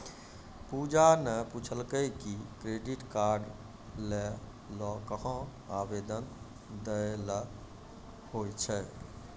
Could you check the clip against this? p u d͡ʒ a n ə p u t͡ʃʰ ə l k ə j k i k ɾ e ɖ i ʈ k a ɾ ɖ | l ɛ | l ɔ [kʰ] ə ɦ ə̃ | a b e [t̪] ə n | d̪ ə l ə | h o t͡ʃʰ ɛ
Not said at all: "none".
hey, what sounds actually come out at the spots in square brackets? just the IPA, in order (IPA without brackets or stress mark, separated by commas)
k, d̪